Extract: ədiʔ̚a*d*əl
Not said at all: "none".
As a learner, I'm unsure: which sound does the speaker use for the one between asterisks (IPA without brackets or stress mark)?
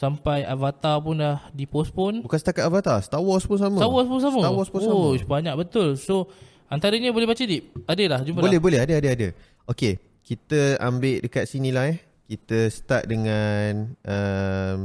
d